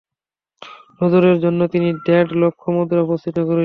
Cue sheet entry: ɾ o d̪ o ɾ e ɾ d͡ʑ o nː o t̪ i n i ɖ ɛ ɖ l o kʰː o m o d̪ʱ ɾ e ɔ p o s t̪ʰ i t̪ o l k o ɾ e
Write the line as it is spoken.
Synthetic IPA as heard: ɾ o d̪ o ɾ e ɾ d͡ʑ o nː o t̪ i n i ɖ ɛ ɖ l o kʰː o m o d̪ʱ ɾ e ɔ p o s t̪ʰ i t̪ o k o ɾ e